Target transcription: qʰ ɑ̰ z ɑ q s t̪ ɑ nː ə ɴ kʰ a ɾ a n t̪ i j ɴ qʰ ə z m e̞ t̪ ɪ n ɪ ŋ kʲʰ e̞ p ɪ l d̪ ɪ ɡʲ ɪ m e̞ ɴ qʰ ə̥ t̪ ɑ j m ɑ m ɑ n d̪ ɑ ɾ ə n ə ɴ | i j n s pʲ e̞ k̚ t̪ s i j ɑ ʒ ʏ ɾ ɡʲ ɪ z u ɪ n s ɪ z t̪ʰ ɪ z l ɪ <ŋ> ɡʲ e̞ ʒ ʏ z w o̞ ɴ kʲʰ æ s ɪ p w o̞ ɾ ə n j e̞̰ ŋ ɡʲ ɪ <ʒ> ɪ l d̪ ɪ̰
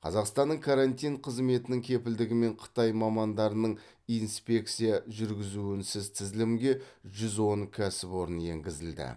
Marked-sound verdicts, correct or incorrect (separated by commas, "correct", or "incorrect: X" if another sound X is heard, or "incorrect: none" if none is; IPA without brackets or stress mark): incorrect: m, incorrect: z